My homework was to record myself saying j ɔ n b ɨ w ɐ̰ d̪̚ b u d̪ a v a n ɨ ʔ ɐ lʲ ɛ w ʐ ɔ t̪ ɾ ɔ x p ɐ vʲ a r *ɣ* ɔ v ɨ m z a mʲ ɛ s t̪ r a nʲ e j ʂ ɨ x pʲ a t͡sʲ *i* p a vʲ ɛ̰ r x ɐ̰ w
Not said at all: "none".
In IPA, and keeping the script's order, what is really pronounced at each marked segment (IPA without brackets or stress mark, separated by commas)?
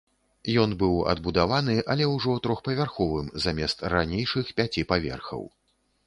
x, i